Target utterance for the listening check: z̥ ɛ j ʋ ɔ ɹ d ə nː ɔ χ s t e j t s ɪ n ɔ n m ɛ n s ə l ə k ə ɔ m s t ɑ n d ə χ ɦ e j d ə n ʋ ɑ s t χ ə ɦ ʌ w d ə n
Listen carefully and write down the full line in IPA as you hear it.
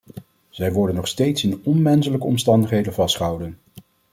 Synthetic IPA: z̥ ɛ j ʋ ɔ ɹ d ə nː ɔ χ s t e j t s ɪ n ɔ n m ɛ n s ə l ə k ə ɔ m s t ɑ n d ə χ ɦ e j d ə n v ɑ s t χ ə ɦ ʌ w d ə n